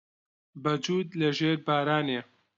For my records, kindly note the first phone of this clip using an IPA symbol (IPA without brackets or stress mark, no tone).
b